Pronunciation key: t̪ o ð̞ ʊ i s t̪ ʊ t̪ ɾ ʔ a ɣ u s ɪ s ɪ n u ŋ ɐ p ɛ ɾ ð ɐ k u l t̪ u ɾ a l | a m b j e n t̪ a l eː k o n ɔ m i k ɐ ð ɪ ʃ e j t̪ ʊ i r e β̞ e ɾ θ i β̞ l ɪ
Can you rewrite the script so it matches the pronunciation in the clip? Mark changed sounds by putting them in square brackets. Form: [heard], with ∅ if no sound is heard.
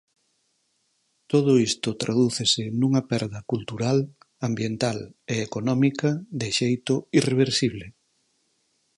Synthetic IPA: t̪ o ð̞ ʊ i s t̪ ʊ t̪ ɾ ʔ a [ð] u [θ] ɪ s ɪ n u ŋ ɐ p ɛ ɾ ð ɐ k u l t̪ u ɾ a l | a m b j e n t̪ a l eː k o n ɔ m i k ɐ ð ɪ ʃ e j t̪ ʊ i r e β̞ e ɾ [s] i β̞ l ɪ